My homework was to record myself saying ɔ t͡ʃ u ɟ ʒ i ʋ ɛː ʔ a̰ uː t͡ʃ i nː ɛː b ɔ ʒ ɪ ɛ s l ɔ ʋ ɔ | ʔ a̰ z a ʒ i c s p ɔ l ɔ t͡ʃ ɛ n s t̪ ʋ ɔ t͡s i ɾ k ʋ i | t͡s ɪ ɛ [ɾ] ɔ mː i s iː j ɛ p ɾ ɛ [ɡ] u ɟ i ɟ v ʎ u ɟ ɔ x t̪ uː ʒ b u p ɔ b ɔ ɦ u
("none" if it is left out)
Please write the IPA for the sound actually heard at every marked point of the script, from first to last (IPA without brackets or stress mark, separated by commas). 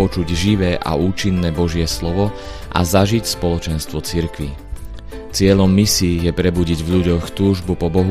ʎ, b